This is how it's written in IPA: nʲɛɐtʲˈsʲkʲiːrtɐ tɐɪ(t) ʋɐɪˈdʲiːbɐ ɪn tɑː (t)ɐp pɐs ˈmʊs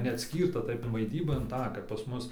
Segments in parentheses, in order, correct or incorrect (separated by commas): incorrect, incorrect